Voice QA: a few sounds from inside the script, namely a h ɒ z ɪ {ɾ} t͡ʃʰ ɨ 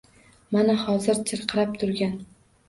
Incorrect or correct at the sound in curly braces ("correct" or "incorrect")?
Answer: correct